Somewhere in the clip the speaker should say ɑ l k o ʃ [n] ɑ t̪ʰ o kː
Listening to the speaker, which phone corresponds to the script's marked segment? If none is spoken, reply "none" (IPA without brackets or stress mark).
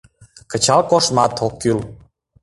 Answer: m